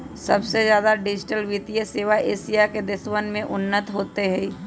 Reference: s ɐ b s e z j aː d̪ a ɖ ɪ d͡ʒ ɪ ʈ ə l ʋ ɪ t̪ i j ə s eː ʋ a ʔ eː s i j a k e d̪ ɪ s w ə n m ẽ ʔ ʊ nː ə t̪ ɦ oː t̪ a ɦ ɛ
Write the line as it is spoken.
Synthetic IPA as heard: s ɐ b s e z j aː d̪ a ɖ ɪ d͡ʒ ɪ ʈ ə l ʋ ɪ t̪ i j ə s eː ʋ a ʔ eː s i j a k e d̪ ɪ s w ə n m ẽ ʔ ʊ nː ə t̪ ɦ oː t̪ e ɦ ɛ